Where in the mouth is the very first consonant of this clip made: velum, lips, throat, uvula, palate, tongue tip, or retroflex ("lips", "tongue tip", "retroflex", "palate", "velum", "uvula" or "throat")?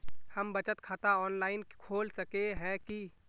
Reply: throat